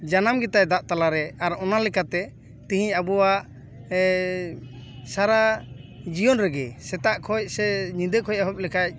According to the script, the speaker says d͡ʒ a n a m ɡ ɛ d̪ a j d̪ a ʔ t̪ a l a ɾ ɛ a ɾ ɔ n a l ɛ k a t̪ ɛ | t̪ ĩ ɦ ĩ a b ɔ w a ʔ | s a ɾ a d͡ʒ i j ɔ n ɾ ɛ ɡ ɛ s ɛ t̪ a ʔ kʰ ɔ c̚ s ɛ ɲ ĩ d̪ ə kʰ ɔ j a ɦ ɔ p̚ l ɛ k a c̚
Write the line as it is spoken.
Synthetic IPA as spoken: d͡ʒ a n a m ɡ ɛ t̪ a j d̪ a ʔ t̪ a l a ɾ ɛ a ɾ ɔ n a l ɛ k a t̪ ɛ | t̪ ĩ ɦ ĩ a b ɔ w a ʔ | s a ɾ a d͡ʒ i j ɔ n ɾ ɛ ɡ ɛ s ɛ t̪ a ʔ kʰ ɔ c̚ s ɛ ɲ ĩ d̪ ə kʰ ɔ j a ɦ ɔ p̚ l ɛ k a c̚